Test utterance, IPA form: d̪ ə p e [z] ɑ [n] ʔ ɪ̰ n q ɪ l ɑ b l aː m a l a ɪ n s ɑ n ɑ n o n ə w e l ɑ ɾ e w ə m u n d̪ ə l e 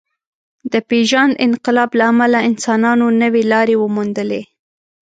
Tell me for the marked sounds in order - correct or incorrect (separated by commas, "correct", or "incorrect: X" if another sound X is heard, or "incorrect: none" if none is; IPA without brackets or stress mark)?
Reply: incorrect: ʒ, correct